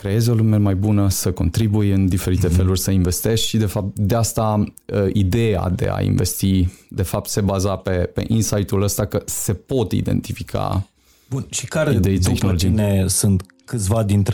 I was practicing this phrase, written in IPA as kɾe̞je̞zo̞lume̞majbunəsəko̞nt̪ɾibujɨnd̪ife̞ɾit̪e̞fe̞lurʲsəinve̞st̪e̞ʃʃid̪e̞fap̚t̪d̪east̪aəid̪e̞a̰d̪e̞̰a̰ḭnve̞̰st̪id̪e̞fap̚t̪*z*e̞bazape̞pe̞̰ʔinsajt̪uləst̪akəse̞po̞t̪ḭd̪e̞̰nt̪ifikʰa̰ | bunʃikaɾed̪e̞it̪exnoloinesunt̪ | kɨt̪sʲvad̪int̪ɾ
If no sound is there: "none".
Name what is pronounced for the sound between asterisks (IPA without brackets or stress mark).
s